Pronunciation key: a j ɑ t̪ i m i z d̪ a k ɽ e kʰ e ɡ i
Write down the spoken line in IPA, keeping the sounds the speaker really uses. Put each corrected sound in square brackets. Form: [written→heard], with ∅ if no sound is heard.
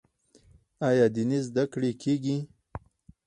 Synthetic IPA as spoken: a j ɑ [t̪→d̪] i [m→n] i z d̪ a k ɽ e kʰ e ɡ i

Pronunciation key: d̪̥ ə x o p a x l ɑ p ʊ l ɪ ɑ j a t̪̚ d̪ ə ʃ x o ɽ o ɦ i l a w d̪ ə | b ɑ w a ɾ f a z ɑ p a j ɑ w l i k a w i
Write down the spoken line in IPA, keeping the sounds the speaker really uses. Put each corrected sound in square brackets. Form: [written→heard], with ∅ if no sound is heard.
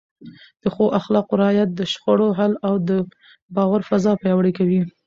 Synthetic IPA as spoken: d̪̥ ə x o [p→ʔ] a x l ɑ [p→q] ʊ [l→ɾ] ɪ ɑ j a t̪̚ d̪ ə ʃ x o ɽ o ɦ [i→a] l a w d̪ ə | b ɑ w a ɾ f a z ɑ p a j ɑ w [l→ɽ] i k a w i

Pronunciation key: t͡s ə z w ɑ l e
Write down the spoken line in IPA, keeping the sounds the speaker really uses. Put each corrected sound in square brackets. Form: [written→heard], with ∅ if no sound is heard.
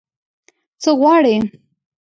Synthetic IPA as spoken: t͡s ə [z→ɣ] w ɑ [l→ɽ] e

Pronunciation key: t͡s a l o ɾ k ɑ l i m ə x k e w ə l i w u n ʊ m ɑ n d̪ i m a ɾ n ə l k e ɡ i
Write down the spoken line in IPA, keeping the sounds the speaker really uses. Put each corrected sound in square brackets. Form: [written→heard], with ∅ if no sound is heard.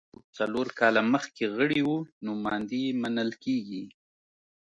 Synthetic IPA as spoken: t͡s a l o ɾ k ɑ l [i→a] m ə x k e [w→ɣ] ə [l→ɽ] i w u n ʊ m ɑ n d̪ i m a [ɾ→∅] n ə l k e ɡ i

